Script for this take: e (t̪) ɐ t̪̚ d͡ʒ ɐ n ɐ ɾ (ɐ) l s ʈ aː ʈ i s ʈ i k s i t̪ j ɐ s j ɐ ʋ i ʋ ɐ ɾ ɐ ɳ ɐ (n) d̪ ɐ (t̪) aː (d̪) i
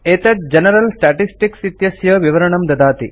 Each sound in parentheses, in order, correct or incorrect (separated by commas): correct, correct, incorrect, incorrect, incorrect